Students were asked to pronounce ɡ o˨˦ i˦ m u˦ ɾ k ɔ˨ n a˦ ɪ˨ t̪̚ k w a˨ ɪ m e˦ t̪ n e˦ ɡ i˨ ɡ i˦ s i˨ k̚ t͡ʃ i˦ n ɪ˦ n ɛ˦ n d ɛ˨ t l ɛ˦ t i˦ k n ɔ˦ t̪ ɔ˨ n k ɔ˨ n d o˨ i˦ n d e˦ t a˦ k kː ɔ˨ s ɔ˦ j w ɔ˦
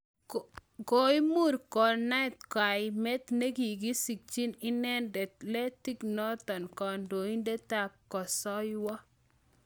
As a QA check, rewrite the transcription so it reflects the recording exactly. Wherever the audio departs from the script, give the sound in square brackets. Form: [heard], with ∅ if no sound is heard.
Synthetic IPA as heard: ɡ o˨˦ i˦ m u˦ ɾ k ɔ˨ n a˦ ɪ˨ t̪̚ k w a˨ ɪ m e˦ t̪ n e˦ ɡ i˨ ɡ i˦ s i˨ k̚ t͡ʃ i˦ n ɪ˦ n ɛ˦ n d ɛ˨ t l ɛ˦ t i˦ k n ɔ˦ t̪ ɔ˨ n k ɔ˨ n d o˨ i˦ n d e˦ t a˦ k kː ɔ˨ s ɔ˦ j w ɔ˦